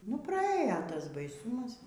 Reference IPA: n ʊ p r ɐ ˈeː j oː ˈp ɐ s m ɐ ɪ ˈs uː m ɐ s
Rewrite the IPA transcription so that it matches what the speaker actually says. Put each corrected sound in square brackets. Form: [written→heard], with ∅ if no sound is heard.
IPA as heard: n ʊ p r ɐ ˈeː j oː [ˈp→ˈt] ɐ s [m→b] ɐ ɪ ˈs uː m ɐ s